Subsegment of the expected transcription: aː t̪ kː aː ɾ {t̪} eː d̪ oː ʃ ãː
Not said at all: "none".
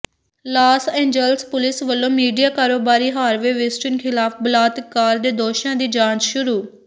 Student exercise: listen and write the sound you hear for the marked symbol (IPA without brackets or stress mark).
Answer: d̪